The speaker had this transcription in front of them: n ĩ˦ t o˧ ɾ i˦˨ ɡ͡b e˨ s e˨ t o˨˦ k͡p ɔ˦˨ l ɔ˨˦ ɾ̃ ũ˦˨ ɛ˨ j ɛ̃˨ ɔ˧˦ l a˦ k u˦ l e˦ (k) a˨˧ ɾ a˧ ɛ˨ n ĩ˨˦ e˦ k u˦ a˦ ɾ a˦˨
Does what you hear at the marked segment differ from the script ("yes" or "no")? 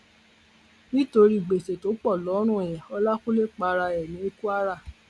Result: yes